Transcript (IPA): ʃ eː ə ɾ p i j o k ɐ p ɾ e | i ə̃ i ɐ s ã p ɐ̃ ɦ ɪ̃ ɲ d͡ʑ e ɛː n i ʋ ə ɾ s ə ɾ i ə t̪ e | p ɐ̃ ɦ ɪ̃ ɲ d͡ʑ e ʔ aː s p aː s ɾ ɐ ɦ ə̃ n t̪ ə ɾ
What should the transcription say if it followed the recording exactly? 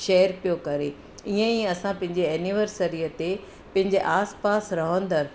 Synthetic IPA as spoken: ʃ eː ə ɾ p i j o k ɐ ɾ e | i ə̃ i ɐ s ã p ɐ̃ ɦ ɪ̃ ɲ d͡ʑ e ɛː n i ʋ ə ɾ s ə ɾ i ə t̪ e | p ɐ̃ ɦ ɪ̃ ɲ d͡ʑ e ʔ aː s p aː s ɾ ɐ ɦ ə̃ n d̪ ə ɾ